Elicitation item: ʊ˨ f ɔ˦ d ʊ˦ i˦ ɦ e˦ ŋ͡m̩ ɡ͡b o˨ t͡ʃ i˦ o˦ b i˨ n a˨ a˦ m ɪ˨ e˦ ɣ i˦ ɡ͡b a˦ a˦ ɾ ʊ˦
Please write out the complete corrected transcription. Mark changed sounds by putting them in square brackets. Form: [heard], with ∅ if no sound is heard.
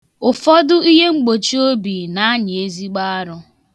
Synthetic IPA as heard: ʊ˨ f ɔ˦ d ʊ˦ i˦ ɦ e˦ ŋ͡m̩ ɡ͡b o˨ t͡ʃ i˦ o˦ b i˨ n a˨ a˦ [ɲ] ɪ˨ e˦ [z] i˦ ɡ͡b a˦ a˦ ɾ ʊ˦

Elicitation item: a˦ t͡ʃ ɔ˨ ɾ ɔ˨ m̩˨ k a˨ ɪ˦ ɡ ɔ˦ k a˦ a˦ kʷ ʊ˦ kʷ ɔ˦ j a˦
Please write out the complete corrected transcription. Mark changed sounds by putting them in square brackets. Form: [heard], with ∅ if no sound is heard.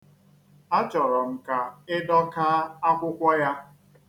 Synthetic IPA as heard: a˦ t͡ʃ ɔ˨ ɾ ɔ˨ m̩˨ k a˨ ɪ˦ [d] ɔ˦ k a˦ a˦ kʷ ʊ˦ kʷ ɔ˦ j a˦

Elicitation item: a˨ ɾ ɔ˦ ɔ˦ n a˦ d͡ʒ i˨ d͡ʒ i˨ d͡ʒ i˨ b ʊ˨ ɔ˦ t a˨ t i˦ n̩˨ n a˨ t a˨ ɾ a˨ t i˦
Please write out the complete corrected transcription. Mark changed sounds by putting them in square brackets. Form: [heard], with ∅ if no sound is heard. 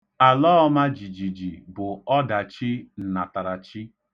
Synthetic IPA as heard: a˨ [l] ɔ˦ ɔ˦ [m] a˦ d͡ʒ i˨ d͡ʒ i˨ d͡ʒ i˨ b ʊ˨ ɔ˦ [d] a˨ [t͡ʃ] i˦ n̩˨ n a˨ t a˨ ɾ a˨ [t͡ʃ] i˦

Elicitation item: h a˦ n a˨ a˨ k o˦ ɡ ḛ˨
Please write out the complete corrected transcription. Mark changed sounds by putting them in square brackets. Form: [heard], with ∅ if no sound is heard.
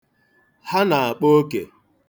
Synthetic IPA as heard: h a˦ n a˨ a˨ [k͡p] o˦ [k] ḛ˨

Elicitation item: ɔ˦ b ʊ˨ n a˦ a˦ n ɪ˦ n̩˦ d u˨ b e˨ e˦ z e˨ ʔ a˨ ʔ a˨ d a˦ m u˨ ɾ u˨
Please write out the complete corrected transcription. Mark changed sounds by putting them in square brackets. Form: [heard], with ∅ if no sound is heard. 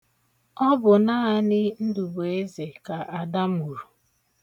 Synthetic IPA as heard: ɔ˦ b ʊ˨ n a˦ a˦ n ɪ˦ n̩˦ d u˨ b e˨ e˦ z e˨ [k] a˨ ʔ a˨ d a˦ m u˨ ɾ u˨

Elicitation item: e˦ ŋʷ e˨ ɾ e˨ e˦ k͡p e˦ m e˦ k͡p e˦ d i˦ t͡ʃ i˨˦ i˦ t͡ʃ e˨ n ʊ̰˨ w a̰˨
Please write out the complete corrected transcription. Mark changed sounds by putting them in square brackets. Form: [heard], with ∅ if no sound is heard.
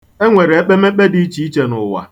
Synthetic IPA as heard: e˦ ŋʷ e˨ ɾ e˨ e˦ k͡p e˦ m e˦ k͡p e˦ d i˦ t͡ʃ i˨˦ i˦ t͡ʃ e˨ n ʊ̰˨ w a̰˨

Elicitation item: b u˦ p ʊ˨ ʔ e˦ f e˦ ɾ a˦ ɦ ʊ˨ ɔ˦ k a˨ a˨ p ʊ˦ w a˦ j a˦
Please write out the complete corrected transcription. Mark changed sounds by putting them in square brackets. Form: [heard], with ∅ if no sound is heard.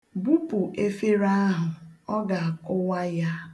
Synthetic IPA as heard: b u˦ p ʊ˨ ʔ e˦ f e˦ ɾ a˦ ɦ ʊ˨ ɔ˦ [ɡ] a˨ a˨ [k] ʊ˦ w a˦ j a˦

